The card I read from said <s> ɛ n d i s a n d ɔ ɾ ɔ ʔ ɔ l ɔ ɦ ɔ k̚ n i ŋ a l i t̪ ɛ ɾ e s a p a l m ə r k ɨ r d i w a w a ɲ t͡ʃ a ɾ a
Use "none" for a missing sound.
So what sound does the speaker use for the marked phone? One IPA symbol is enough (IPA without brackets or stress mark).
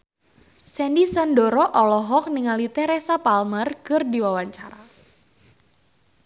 s